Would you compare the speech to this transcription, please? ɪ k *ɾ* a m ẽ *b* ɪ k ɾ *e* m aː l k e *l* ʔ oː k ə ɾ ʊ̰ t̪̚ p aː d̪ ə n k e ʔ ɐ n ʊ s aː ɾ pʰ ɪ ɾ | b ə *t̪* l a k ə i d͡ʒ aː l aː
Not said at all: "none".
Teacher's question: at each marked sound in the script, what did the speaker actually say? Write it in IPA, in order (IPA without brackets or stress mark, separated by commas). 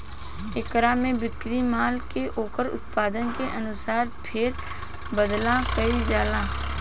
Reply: ɾ, b, i, none, d̪